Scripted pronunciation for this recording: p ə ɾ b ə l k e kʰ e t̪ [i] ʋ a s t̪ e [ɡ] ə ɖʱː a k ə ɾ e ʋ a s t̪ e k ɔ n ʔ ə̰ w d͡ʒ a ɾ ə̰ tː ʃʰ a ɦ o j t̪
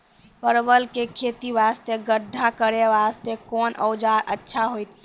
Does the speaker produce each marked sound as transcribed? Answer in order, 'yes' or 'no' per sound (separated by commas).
yes, yes